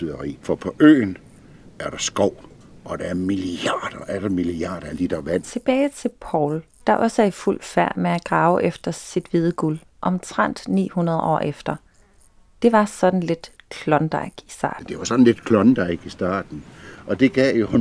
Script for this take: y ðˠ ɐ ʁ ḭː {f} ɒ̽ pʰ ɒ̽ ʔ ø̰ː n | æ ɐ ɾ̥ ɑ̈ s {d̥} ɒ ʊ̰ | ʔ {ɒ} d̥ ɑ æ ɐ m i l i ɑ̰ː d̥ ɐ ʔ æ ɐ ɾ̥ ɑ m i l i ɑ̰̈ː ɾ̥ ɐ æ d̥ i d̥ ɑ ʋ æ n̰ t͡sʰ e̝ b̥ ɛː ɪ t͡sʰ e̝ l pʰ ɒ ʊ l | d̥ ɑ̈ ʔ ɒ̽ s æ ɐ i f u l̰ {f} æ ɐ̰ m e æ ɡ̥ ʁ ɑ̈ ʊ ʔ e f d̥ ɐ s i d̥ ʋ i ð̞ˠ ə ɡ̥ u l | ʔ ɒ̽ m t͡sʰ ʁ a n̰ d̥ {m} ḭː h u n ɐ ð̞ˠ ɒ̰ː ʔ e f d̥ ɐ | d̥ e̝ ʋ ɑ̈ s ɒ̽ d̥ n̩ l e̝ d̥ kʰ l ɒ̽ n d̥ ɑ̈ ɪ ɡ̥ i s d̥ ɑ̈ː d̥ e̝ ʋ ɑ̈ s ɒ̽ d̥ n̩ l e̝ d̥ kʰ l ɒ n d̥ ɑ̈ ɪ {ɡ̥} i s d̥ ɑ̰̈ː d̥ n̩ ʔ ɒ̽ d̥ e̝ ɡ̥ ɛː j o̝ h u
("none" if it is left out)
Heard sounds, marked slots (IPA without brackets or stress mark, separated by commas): f, ɡ̥, ɒ, f, n, ɡ̥